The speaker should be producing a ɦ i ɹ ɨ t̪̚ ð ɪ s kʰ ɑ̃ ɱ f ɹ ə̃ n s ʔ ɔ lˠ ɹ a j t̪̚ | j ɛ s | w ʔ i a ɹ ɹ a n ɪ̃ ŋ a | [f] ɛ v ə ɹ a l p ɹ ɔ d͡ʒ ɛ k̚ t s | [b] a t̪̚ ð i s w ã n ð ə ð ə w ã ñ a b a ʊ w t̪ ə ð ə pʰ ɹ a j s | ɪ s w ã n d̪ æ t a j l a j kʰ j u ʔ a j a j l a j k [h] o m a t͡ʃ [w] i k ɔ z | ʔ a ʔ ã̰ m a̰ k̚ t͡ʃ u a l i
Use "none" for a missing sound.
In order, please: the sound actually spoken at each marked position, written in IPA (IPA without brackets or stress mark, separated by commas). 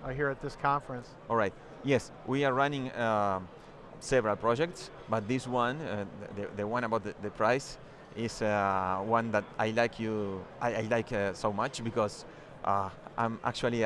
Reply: s, b, s, b